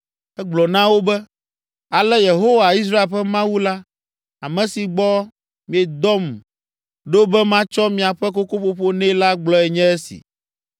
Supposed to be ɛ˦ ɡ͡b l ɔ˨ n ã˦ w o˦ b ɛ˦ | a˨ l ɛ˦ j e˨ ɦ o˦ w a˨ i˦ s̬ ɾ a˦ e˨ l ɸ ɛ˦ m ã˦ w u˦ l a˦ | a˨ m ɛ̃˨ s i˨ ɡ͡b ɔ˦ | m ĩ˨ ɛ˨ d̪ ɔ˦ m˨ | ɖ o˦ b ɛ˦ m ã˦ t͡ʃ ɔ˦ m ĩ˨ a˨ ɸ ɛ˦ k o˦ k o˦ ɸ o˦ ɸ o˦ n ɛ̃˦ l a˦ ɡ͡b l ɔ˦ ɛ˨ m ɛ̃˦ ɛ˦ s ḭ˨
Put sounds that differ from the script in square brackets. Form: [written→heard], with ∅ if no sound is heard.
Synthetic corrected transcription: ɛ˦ ɡ͡b l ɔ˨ n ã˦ w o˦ b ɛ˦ | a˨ l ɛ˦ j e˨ ɦ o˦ w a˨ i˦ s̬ ɾ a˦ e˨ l ɸ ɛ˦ m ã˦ w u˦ l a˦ | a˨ m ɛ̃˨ s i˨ ɡ͡b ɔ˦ | m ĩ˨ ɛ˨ d̪ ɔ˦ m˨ | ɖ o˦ b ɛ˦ m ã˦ t͡ʃ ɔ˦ m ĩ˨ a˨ ɸ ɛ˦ k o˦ k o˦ ɸ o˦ ɸ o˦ n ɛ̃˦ l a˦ ɡ͡b l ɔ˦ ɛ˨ [m→ɲ] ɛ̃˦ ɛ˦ s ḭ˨